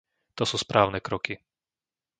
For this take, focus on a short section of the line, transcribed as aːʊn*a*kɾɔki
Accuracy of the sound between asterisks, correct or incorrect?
incorrect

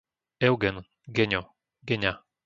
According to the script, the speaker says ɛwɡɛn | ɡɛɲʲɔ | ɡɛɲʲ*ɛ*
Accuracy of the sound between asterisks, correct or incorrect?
incorrect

